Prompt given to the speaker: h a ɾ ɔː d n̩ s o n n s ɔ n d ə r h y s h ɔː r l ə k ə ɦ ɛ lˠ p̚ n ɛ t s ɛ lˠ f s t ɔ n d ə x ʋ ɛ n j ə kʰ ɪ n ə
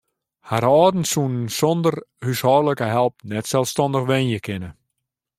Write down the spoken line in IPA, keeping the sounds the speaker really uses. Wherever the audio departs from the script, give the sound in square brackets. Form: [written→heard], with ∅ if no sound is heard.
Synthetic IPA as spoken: h a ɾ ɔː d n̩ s [o→u] n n s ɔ n d ə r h y s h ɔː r l ə k ə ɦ ɛ lˠ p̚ n ɛ t s ɛ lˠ f s t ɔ n d ə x ʋ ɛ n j ə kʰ ɪ n ə